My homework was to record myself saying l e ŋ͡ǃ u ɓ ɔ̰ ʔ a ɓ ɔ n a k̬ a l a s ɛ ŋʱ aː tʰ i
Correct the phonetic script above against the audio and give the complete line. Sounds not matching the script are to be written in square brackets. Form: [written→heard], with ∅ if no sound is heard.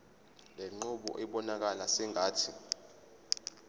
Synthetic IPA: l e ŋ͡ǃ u ɓ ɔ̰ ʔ [a→ɛ] ɓ ɔ n a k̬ a l a s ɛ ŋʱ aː tʰ i